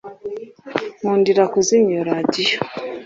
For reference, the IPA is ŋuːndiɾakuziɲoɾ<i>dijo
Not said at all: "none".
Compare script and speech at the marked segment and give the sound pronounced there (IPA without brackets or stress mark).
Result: a